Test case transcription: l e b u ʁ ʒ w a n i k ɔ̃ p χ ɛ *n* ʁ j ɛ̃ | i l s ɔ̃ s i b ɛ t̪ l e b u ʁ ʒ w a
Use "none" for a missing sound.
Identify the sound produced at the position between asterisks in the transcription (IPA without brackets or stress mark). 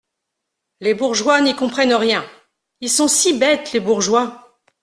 n